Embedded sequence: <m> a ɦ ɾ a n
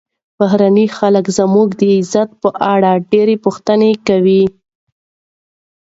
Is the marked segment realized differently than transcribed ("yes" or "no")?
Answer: yes